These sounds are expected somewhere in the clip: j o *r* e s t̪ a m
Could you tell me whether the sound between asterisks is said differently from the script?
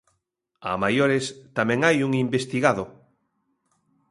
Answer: yes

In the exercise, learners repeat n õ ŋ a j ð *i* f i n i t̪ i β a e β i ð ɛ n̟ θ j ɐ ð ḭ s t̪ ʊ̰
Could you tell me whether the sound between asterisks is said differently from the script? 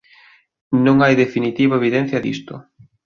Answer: yes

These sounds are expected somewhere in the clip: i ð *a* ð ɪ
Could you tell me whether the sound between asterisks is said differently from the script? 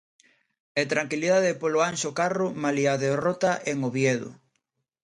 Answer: no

